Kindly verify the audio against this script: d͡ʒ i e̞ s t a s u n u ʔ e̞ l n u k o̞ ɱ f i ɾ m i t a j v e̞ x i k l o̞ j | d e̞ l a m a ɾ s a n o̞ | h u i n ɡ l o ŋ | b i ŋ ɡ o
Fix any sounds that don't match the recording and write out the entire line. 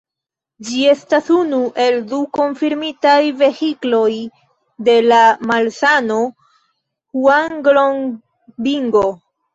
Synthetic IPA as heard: d͡ʒ i e̞ s t a s u n u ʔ e̞ l d u k o̞ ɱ f i ɾ m i t a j v e̞ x i k l o̞ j | d e̞ l a m a l s a n o̞ | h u a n ɡ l o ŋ | b i ŋ ɡ o